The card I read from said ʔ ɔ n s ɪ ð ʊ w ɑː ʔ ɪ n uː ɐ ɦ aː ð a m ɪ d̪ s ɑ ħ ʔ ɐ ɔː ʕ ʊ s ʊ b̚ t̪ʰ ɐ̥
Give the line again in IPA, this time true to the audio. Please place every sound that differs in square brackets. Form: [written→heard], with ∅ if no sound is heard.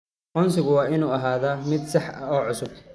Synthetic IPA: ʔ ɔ n s ɪ [ð→ɣ] ʊ w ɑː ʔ ɪ n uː ɐ ɦ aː ð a m ɪ d̪ s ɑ ħ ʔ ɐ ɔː ʕ ʊ s ʊ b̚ t̪ʰ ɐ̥